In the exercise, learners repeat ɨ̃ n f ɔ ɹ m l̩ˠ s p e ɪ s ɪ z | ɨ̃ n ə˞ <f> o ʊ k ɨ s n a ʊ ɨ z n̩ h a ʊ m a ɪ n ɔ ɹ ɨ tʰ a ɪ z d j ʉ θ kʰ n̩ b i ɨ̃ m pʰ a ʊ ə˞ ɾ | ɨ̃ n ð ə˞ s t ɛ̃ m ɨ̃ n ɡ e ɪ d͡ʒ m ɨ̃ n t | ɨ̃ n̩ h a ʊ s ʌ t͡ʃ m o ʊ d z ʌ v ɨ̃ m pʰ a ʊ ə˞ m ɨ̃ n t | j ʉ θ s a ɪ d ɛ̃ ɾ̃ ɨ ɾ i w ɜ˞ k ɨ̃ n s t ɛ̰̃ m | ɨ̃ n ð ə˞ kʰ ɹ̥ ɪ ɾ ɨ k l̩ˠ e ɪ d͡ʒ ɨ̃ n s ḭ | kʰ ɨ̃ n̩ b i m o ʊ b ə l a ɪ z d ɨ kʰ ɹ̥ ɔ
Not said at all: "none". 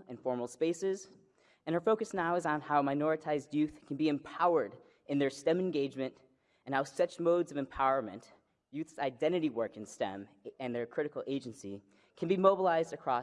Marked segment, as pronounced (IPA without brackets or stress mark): f